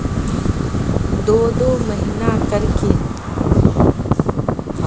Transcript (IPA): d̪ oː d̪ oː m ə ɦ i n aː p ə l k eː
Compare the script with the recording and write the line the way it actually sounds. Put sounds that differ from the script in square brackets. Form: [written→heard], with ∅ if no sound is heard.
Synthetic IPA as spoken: d̪ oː d̪ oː m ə ɦ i n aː [p→k] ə [l→ɾ] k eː